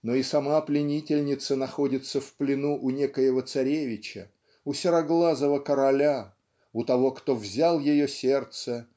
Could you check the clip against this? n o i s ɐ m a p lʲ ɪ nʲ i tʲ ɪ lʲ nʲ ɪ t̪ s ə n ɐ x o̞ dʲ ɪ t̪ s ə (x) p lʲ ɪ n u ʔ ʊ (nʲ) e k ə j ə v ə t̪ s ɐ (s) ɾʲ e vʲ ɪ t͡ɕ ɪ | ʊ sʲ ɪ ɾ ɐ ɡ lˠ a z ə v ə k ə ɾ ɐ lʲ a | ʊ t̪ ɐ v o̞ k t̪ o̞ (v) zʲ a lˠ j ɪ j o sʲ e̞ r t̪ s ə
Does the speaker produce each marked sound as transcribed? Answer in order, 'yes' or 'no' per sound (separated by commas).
no, yes, no, yes